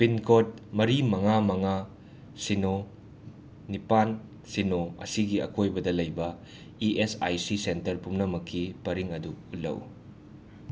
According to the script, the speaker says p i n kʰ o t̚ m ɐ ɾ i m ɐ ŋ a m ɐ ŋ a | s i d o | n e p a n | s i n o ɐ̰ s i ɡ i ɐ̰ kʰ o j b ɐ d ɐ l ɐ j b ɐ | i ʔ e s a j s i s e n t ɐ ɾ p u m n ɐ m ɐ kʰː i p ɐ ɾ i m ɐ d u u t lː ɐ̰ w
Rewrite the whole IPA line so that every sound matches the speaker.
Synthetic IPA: p i n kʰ o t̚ m ɐ ɾ i m ɐ ŋ a m ɐ ŋ a | s i n o | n i p a n | s i n o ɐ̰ s i ɡ i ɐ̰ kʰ o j b ɐ d ɐ l ɐ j b ɐ | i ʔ e s a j s i s e n t ɐ ɾ p u m n ɐ m ɐ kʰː i p ɐ ɾ i ŋ ɐ d u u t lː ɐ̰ w